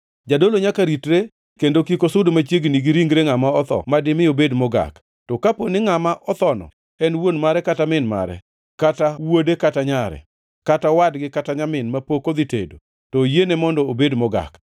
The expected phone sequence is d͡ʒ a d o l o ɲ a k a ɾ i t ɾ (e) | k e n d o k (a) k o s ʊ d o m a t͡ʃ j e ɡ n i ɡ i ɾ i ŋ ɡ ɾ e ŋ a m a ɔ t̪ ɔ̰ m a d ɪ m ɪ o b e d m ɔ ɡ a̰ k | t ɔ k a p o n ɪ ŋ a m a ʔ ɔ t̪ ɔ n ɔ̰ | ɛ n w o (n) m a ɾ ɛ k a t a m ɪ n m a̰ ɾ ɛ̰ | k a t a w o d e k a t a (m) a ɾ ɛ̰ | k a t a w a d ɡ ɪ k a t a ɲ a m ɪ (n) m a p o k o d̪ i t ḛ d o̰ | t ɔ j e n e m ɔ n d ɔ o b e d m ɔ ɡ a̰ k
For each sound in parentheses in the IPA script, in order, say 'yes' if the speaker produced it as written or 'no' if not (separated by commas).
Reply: yes, no, yes, no, yes